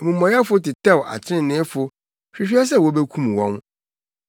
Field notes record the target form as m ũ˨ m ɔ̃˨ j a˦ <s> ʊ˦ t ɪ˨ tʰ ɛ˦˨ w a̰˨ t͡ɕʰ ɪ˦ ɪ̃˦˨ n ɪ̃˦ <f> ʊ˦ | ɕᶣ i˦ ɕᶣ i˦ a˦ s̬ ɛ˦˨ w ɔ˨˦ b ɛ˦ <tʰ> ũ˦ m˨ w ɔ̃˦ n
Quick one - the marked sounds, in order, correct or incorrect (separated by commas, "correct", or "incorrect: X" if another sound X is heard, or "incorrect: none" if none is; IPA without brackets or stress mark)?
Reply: incorrect: f, correct, incorrect: kʰ